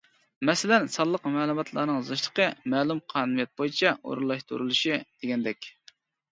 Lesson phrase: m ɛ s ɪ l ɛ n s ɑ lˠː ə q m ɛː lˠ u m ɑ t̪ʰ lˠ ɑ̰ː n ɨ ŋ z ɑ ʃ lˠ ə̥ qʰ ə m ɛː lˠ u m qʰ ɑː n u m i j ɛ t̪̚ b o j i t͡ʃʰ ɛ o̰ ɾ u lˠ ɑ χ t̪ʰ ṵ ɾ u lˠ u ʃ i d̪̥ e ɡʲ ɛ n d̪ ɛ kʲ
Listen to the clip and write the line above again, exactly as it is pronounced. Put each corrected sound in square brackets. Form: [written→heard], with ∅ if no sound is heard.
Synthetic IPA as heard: m ɛ s ɪ l ɛ n s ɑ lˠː ə q m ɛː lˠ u m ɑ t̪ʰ lˠ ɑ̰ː n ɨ ŋ z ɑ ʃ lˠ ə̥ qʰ ə m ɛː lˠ u m qʰ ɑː n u m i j ɛ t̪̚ b o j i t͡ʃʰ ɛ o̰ ɾ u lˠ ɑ [χ→ʃ] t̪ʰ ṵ ɾ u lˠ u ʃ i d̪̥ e ɡʲ ɛ n d̪ ɛ kʲ